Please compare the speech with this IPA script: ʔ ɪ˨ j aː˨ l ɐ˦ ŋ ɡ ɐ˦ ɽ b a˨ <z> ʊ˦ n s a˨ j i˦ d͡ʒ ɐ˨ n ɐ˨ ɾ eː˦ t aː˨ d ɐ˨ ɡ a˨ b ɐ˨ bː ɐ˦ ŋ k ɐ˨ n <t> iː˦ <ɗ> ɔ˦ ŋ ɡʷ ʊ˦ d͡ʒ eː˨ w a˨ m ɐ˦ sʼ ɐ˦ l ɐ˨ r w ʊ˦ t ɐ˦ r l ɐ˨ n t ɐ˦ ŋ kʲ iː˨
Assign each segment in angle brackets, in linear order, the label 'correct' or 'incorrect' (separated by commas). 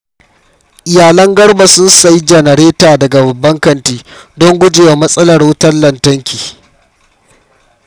incorrect, correct, incorrect